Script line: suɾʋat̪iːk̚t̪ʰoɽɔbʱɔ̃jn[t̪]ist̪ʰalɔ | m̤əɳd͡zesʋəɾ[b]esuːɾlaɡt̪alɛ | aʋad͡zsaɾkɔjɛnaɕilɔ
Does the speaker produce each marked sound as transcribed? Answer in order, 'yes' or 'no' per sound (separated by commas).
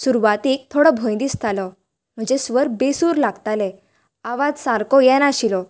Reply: no, yes